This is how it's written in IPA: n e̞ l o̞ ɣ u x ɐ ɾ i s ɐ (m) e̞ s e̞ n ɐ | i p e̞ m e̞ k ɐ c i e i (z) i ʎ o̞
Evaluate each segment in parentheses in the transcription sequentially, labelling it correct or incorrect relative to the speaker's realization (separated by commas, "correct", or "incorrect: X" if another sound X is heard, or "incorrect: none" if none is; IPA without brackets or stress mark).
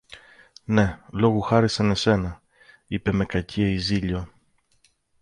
incorrect: n, correct